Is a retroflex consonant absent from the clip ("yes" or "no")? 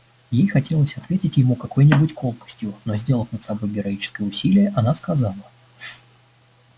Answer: yes